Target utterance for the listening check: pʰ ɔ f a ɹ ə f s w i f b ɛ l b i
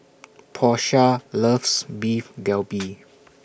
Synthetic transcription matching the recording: pʰ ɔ ʃ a l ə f s b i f ɡ ɛ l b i